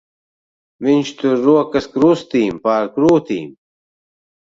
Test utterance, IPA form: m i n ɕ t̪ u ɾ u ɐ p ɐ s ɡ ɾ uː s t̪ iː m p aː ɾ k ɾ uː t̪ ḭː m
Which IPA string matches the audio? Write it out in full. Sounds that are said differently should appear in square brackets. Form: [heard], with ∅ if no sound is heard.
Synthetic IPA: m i n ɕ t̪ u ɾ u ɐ [k] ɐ s [k] ɾ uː s t̪ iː m p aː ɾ k ɾ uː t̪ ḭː m